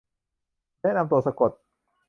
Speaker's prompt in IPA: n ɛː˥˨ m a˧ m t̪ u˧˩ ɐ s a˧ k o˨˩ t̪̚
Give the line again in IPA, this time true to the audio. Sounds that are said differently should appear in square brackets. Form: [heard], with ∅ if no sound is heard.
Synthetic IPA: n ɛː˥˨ [n] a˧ m t̪ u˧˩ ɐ s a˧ k o˨˩ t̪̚